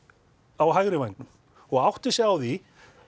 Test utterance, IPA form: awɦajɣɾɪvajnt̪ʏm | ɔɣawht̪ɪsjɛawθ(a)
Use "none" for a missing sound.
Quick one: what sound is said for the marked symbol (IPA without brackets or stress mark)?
i